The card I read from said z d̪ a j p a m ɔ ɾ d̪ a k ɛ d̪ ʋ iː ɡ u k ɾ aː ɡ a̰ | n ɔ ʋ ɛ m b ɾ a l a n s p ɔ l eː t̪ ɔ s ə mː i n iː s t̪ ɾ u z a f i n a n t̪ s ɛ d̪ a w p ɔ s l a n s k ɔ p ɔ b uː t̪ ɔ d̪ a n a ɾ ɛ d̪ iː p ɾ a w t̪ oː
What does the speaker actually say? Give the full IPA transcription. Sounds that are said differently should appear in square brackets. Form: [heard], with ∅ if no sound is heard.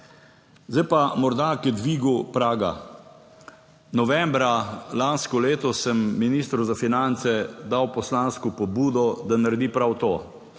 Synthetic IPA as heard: z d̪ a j p a m ɔ ɾ d̪ a k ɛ d̪ ʋ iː ɡ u [p] ɾ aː ɡ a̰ | n ɔ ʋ ɛ m b ɾ a l a n s [k] ɔ l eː t̪ ɔ s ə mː i n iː s t̪ ɾ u z a f i n a n t̪ s ɛ d̪ a w p ɔ s l a n s k ɔ p ɔ b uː [d̪] ɔ d̪ a n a ɾ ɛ d̪ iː p ɾ a w t̪ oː

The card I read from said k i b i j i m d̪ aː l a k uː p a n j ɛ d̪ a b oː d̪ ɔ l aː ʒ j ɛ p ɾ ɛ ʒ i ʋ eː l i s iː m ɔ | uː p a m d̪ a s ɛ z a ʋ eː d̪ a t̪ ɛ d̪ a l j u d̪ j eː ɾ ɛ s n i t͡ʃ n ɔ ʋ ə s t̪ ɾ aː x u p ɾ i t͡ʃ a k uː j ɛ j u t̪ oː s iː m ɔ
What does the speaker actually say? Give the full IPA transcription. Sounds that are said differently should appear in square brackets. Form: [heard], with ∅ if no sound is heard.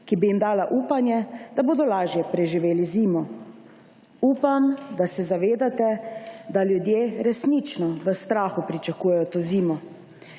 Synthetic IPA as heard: k i b i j i m d̪ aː l a [ʔ] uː p a n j ɛ d̪ a b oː d̪ ɔ l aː ʒ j ɛ p ɾ ɛ ʒ i ʋ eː l i [z] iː m ɔ | uː p a m d̪ a s ɛ z a ʋ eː d̪ a t̪ ɛ d̪ a l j u d̪ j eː ɾ ɛ s n i t͡ʃ n ɔ ʋ ə s t̪ ɾ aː x u p ɾ i t͡ʃ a k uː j ɛ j [ɔ] t̪ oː [z] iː m ɔ

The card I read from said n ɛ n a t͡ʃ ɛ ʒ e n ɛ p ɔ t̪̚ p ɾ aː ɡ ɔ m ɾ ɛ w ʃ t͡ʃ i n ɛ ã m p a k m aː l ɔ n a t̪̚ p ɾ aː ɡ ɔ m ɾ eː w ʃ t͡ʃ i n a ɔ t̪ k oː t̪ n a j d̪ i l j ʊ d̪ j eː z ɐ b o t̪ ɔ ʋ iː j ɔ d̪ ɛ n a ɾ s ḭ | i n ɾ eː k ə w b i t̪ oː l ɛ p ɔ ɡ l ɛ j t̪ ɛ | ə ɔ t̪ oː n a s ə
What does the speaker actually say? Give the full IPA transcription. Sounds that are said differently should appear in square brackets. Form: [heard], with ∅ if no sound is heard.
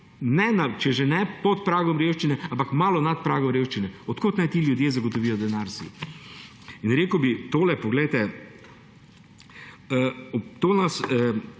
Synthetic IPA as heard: n ɛ n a t͡ʃ ɛ ʒ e n ɛ p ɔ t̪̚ p ɾ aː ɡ ɔ m ɾ [e] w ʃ t͡ʃ i n ɛ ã m p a k m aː l ɔ n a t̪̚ p ɾ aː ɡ ɔ m ɾ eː w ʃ t͡ʃ i n [ɛ] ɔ t̪ k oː t̪ n a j [t̪] i l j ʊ d̪ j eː z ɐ [ɡ] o t̪ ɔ ʋ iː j ɔ d̪ ɛ n a ɾ s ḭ | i n ɾ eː k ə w b i t̪ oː l ɛ p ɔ ɡ l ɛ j t̪ ɛ | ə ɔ t̪ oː n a s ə

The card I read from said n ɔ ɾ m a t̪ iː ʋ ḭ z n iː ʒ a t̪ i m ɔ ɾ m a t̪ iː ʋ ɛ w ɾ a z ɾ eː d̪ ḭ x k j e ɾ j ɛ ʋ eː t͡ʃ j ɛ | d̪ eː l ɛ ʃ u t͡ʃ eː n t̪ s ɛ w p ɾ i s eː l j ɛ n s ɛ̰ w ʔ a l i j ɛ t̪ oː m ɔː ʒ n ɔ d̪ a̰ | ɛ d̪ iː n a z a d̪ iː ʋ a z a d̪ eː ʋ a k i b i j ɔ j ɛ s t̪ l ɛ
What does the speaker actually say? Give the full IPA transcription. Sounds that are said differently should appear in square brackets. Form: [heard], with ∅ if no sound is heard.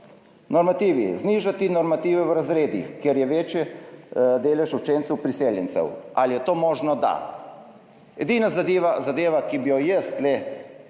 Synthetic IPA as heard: n ɔ ɾ m a t̪ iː ʋ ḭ z n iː ʒ a t̪ i [n] ɔ ɾ m a t̪ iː ʋ ɛ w ɾ a z ɾ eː d̪ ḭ x k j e ɾ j ɛ ʋ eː t͡ʃ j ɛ | d̪ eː l ɛ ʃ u t͡ʃ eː n t̪ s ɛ w p ɾ i s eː l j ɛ n s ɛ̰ w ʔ a l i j ɛ t̪ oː m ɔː ʒ n ɔ d̪ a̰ | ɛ d̪ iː n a z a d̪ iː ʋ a z a d̪ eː ʋ a k i b i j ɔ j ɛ s t̪ l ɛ

